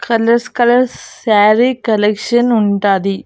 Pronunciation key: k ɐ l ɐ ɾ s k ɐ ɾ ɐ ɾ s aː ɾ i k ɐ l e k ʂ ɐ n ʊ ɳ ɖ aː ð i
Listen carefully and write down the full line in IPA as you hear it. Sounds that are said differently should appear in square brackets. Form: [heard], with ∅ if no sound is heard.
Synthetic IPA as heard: k ɐ l ɐ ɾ s k ɐ [l] ɐ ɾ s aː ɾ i k ɐ l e k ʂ ɐ n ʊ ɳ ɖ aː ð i